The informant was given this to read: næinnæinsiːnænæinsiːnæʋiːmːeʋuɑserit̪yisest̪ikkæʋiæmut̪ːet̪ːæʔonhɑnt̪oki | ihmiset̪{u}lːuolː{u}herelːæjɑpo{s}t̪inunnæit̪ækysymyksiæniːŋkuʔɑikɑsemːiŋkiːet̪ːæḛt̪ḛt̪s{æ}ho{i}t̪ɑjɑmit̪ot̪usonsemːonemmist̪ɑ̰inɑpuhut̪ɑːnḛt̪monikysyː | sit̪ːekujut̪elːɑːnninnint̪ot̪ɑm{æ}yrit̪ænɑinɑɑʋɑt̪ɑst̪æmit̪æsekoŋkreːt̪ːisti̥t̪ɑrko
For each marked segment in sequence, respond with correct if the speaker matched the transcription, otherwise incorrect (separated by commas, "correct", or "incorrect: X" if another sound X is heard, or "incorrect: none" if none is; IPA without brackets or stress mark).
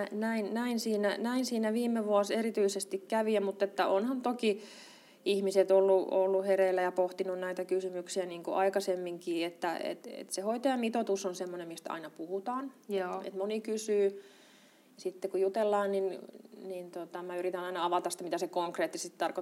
incorrect: o, correct, incorrect: h, incorrect: e, correct, correct